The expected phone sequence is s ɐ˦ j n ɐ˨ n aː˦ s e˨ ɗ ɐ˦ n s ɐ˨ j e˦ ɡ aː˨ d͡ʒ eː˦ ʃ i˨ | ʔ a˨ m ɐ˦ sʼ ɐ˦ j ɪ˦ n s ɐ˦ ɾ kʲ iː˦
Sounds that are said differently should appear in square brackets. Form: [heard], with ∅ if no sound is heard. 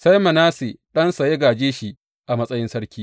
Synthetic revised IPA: s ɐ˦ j [m] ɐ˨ n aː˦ s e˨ ɗ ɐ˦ n s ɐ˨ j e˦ ɡ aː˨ d͡ʒ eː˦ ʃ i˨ | ʔ a˨ m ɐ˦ sʼ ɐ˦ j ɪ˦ n s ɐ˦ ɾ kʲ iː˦